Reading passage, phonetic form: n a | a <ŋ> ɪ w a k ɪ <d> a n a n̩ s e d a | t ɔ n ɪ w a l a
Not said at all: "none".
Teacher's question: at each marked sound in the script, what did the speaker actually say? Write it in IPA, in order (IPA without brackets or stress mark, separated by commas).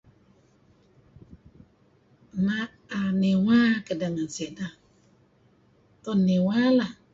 n, d